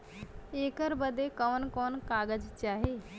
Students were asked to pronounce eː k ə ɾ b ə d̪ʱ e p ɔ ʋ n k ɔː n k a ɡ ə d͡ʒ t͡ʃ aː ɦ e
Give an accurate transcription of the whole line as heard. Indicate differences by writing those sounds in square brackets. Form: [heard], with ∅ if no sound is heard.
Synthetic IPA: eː k ə ɾ b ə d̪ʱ e [k] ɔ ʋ n k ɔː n k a ɡ ə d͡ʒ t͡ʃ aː ɦ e